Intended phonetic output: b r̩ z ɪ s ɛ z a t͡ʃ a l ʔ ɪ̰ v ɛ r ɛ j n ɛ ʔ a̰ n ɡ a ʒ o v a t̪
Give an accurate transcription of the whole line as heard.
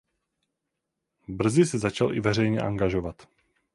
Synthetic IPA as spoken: b r̩ z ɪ s ɛ z a t͡ʃ a l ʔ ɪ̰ v ɛ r ɛ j ɲ ɛ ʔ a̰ ŋ ɡ a ʒ o v a t̪